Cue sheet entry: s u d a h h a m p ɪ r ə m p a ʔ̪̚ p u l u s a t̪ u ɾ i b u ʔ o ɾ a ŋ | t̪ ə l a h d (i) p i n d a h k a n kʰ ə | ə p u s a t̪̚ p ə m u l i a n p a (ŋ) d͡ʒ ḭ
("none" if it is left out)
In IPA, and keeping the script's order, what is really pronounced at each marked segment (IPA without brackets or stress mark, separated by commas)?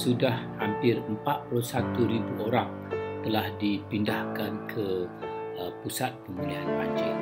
i, ɲ